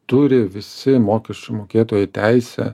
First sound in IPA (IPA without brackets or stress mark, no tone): t̪